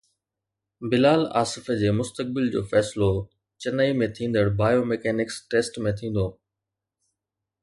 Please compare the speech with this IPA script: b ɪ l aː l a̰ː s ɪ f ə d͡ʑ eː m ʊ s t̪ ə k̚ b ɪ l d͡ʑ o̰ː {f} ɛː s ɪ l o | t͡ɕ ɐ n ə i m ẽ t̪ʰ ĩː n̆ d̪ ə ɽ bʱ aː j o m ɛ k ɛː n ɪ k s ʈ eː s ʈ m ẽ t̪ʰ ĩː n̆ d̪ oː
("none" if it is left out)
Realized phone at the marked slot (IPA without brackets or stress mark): f